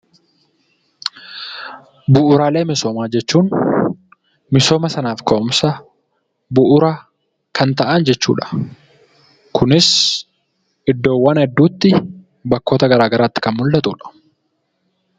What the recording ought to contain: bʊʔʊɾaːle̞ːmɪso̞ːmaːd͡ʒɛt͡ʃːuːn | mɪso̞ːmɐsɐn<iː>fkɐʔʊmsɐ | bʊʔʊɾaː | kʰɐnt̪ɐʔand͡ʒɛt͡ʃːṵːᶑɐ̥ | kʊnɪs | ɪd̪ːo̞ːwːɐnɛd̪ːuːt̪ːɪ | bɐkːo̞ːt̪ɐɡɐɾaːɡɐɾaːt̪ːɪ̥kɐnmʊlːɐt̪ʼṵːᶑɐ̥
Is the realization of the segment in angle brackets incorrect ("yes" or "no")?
yes